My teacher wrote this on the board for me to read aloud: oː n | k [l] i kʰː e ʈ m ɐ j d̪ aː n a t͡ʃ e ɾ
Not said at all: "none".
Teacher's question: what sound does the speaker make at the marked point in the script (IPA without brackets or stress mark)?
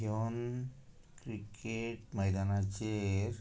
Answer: ɾ